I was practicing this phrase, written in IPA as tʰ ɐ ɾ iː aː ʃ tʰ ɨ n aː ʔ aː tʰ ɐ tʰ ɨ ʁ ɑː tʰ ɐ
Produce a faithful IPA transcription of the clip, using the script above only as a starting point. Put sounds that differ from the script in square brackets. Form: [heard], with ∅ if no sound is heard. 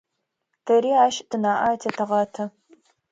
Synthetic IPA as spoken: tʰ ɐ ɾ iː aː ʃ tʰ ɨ n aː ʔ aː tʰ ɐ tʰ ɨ ʁ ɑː tʰ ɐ